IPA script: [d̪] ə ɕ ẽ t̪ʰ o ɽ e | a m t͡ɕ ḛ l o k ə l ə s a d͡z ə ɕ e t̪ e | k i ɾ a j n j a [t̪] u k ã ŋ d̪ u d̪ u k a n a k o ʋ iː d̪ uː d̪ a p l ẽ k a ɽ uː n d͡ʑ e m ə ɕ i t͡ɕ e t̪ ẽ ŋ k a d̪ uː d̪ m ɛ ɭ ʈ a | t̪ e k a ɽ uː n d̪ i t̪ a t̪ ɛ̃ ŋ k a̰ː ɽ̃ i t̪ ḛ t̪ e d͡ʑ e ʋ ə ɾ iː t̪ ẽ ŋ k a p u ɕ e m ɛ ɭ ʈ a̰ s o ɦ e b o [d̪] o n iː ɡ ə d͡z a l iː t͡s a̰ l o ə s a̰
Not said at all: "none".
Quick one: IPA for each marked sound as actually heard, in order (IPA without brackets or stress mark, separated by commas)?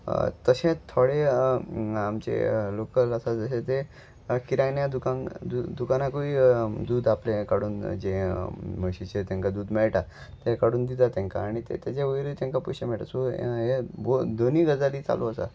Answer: t̪, d̪, d̪